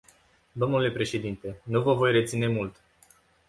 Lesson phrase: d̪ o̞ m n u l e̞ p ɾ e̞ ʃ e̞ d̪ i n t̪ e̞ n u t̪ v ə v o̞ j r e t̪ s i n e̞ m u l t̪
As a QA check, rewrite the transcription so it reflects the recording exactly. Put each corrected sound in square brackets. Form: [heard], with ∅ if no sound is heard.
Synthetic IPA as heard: d̪ o̞ m n u l e̞ p ɾ e̞ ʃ e̞ d̪ i n t̪ e̞ n u [∅] v ə v o̞ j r e t̪ s i n e̞ m u l t̪